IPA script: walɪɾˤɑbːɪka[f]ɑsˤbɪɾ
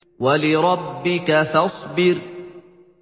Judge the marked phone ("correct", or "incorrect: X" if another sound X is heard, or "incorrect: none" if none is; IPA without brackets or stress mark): incorrect: θ